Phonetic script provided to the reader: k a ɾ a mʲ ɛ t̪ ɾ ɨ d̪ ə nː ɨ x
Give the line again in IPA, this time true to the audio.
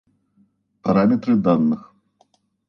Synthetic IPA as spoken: p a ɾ a mʲ ɛ t̪ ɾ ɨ d̪ a nː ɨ x